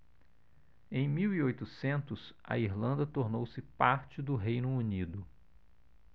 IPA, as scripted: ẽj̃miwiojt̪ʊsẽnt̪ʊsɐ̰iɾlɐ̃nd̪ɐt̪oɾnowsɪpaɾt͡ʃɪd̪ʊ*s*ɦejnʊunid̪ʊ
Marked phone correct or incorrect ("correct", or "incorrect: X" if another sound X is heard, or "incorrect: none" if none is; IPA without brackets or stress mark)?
incorrect: none